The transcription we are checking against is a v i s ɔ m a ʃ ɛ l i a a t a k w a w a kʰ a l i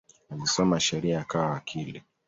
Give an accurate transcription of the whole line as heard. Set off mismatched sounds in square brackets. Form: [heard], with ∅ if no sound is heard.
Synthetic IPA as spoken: a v i s ɔ m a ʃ ɛ [ɾ] i a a [k] a [∅] w a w a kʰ [i] l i